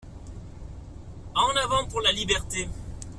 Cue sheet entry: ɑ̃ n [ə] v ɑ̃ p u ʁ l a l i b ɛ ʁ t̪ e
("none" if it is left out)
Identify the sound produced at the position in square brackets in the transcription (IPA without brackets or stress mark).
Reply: a